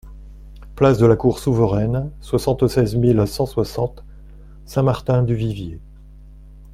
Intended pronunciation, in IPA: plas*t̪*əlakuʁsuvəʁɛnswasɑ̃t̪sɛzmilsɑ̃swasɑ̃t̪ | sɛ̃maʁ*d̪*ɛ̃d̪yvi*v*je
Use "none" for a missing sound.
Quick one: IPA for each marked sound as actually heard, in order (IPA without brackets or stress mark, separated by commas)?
d̪, t̪, v